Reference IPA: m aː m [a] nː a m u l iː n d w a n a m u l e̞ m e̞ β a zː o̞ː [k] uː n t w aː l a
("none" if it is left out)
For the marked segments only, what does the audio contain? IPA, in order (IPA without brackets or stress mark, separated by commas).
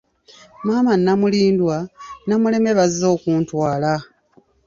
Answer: a, k